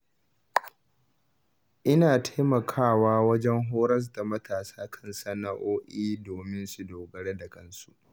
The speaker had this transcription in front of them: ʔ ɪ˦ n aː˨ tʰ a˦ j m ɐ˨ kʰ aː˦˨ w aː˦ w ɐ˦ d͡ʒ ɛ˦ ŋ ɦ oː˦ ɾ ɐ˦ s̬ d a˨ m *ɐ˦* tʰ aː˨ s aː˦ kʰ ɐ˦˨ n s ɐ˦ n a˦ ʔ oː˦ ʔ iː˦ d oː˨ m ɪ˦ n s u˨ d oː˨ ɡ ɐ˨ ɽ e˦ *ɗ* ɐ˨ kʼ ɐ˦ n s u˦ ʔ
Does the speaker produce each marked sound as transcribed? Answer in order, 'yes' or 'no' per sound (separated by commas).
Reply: yes, no